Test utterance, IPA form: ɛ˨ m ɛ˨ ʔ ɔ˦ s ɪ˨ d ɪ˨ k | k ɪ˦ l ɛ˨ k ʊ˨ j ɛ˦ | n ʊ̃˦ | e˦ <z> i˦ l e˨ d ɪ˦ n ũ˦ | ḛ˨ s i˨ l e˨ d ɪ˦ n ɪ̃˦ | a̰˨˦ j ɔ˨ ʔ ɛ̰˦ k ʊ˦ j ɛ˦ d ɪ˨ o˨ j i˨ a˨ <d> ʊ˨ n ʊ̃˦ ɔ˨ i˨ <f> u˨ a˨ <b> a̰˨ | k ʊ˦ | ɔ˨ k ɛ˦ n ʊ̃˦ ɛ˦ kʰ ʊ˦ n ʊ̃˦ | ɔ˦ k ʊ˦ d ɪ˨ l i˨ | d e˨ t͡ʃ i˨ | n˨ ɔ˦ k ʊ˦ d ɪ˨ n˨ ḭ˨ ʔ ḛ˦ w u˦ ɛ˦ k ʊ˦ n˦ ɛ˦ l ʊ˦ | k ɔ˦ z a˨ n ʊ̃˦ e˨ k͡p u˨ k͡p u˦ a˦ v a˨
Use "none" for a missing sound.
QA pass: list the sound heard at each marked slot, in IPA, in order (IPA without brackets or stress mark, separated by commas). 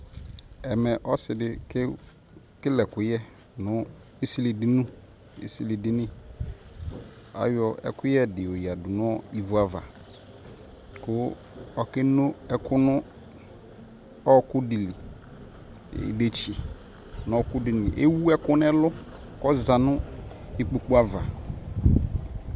s, d, v, v